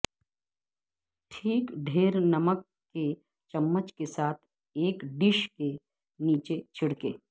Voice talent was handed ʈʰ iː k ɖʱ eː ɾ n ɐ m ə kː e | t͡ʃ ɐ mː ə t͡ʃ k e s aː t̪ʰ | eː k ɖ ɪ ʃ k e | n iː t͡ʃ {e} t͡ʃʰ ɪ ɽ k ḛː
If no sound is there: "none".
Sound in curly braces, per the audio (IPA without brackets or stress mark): e